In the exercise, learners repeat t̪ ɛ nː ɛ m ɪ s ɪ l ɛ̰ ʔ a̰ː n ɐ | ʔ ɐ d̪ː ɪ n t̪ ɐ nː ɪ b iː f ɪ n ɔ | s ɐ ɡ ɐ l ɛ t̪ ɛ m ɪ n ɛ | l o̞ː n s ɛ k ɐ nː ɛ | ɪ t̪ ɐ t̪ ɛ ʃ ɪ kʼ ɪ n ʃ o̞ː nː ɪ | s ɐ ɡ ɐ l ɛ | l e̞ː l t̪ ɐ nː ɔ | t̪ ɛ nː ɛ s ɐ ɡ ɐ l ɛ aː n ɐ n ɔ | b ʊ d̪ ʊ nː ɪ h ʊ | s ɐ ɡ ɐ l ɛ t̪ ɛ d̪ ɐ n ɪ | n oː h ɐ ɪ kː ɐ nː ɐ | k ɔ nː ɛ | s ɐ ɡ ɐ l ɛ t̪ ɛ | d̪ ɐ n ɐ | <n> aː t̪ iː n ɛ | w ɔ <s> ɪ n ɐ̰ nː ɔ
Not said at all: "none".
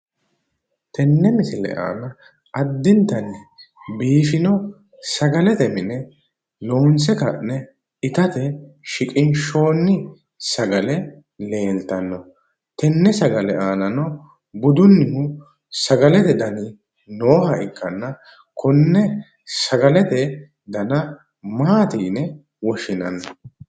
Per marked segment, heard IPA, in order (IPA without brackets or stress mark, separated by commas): m, ʃ